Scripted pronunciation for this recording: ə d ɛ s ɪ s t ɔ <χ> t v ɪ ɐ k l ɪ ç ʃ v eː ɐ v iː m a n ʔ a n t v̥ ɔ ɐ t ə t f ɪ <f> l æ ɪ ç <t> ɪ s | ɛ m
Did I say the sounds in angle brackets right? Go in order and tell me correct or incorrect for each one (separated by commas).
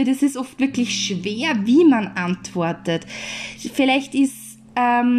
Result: incorrect, incorrect, correct